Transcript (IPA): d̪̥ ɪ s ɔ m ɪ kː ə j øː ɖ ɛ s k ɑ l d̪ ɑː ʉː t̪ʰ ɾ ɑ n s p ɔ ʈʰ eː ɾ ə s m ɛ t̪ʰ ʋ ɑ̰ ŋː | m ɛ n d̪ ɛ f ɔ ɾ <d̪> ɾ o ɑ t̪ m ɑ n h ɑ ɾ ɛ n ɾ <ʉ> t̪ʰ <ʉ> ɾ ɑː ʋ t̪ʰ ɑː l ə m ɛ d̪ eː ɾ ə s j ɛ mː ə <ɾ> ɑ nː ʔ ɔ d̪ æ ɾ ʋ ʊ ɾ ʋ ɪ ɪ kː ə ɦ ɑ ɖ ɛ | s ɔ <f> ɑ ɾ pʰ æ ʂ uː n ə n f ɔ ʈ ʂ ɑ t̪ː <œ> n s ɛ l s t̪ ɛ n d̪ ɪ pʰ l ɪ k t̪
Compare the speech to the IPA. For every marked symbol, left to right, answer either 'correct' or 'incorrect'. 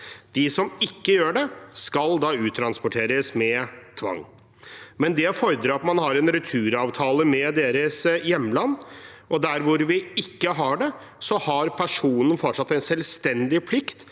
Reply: correct, correct, incorrect: ʉː, incorrect: l, incorrect: h, incorrect: ɛ

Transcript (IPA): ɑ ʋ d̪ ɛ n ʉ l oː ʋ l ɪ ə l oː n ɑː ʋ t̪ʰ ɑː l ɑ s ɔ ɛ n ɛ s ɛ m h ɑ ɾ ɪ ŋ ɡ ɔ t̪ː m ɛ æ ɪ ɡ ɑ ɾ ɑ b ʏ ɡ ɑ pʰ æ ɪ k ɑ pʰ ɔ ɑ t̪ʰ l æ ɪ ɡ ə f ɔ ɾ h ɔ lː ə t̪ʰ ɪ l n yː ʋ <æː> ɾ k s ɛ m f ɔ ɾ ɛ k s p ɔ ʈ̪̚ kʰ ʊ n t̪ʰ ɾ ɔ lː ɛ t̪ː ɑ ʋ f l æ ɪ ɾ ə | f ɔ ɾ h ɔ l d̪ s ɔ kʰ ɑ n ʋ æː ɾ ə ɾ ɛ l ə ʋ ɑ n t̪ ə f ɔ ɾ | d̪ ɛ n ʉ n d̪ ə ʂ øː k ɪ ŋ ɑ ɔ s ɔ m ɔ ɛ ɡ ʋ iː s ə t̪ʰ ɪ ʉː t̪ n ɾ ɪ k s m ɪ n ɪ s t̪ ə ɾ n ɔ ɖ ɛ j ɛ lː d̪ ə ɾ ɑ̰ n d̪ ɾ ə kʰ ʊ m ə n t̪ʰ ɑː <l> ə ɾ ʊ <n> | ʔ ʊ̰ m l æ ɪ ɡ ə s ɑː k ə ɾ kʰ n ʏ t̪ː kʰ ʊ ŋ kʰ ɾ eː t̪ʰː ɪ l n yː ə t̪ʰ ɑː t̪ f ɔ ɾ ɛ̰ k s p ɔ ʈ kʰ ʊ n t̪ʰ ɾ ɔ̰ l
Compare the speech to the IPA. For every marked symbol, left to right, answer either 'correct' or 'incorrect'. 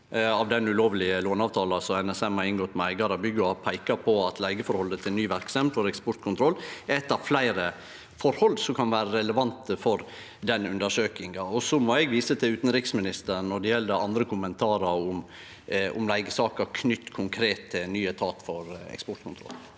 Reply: incorrect: æ, incorrect: ɾ, incorrect: m

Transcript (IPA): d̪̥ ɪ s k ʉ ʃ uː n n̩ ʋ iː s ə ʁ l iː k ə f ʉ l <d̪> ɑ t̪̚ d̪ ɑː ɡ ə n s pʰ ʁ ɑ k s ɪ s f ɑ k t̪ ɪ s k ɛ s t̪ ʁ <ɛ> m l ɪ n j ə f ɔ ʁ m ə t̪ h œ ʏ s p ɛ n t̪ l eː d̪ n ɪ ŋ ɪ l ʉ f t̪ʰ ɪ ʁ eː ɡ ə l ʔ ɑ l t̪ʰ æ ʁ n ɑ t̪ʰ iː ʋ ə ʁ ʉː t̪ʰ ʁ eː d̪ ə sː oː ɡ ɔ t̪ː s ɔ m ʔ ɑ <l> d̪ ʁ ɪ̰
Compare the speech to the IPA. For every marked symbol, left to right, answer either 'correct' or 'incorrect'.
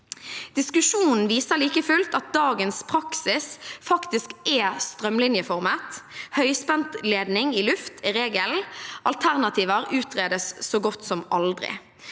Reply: incorrect: t̪, incorrect: œ, correct

